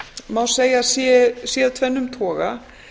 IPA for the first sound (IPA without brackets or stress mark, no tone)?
m